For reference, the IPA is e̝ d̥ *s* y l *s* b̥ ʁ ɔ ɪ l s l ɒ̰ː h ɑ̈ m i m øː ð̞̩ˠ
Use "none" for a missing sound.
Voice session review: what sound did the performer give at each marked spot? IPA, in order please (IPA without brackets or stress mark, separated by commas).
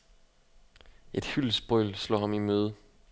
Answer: h, s